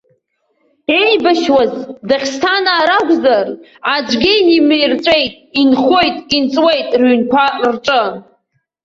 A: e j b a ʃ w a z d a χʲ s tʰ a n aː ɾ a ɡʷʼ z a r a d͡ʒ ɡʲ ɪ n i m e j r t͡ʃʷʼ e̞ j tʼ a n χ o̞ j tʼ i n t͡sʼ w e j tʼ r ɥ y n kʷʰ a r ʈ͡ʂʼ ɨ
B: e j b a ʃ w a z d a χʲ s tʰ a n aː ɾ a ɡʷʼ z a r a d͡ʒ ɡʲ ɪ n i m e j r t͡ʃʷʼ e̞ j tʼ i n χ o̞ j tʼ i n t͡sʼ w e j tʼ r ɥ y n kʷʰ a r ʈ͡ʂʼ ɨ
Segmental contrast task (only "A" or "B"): B